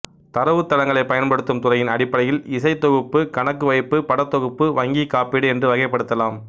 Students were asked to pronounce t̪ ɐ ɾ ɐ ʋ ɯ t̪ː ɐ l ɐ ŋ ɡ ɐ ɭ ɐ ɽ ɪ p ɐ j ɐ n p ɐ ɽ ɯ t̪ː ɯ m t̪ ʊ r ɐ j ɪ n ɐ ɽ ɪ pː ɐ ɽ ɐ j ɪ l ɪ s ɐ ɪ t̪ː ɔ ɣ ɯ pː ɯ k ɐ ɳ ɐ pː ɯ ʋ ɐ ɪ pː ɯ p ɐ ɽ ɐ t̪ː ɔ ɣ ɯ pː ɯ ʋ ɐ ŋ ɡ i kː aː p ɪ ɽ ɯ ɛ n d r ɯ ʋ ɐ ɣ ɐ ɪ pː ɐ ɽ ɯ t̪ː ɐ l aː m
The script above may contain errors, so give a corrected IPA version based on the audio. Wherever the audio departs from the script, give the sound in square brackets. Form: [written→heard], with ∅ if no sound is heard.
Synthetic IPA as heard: t̪ ɐ ɾ ɐ ʋ ɯ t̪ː ɐ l ɐ ŋ ɡ ɐ ɭ ɐ [ɽ→∅] ɪ p ɐ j ɐ n p ɐ ɽ ɯ t̪ː ɯ m t̪ ʊ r ɐ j ɪ n ɐ ɽ ɪ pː ɐ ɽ ɐ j ɪ l ɪ s ɐ ɪ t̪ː ɔ ɣ ɯ pː ɯ k ɐ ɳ ɐ [pː→kː] ɯ ʋ ɐ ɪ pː ɯ p ɐ ɽ ɐ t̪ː ɔ ɣ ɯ pː ɯ ʋ ɐ ŋ ɡ i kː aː p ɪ ɽ ɯ ɛ n d r ɯ ʋ ɐ ɣ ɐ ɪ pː ɐ ɽ ɯ t̪ː ɐ l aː m